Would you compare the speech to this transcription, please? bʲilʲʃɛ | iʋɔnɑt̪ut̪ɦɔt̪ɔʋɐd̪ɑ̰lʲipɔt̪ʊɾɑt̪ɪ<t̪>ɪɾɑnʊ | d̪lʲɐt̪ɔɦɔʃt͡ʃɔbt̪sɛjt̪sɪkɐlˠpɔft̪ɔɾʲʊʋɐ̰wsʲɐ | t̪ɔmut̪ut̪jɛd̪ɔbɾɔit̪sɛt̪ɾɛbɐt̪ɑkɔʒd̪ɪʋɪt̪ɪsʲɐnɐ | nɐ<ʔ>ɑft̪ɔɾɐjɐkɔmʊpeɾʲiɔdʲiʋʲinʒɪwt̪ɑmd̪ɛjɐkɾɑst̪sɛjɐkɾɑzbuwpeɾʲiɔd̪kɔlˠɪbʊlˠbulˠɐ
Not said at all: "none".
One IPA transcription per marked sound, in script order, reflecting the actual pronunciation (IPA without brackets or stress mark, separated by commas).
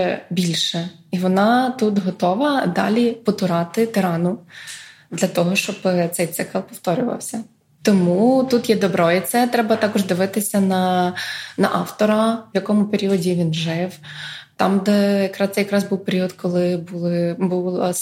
t̪, ʔ